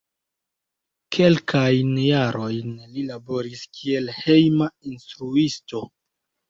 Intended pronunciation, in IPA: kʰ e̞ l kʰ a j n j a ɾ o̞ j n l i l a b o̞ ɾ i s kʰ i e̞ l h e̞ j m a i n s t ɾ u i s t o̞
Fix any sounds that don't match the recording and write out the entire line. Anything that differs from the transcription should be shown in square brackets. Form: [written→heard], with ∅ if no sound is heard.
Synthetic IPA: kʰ e̞ l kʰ a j n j a ɾ o̞ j n l i l a b o̞ ɾ i s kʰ i e̞ l h e̞ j m a i n s t ɾ u i s t o̞